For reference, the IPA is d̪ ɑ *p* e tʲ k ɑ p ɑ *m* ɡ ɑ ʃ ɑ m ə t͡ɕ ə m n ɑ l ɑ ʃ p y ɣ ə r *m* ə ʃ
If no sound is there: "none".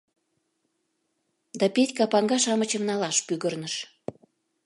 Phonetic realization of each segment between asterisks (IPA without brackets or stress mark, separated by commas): p, ŋ, n